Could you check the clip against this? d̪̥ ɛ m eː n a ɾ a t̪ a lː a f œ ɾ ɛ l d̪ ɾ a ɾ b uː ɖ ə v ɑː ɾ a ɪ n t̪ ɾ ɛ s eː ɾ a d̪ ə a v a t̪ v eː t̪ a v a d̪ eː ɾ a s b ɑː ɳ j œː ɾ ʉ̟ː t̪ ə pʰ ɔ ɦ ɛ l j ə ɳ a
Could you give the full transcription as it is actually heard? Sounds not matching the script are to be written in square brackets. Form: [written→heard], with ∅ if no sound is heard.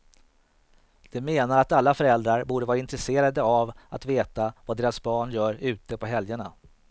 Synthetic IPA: d̪̥ ɛ m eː n a ɾ a t̪ a lː a f œ ɾ ɛ l d̪ ɾ a ɾ b uː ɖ ə v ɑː ɾ a ɪ n t̪ ɾ ɛ s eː ɾ a d̪ ə a v a t̪ v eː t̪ a v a d̪ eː ɾ a s b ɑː ɳ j œː ɾ ʉ̟ː t̪ ə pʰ ɔ ɦ ɛ l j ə ɳ a